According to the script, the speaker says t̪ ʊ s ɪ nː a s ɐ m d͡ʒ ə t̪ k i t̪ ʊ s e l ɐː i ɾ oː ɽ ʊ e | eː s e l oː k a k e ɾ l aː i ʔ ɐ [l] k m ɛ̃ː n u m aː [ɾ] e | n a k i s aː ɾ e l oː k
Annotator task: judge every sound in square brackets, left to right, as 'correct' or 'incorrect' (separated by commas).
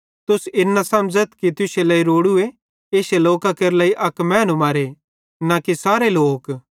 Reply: incorrect, correct